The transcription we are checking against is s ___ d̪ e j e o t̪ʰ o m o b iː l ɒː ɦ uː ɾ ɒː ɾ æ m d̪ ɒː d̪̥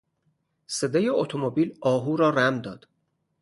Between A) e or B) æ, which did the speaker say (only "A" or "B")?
A